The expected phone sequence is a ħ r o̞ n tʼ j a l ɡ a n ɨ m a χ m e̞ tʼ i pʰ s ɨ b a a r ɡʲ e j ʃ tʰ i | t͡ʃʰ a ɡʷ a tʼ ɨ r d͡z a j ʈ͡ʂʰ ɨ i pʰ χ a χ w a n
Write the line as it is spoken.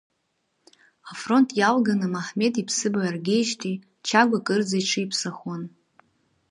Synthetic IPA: a f r o̞ n tʼ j a l ɡ a n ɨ m a ħ m e̞ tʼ i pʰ s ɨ b a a r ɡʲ e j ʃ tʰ i | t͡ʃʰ a ɡʷ a kʼ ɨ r d͡z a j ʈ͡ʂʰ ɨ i pʰ s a χ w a n